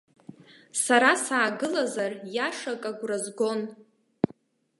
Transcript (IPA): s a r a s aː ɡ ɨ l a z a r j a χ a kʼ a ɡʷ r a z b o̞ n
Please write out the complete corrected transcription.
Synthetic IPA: s a ɾ a s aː ɡ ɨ l a z a r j a ʂ a kʼ a ɡʷ r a z ɡ o̞ n